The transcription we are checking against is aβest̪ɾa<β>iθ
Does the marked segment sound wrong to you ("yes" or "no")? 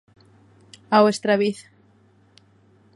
no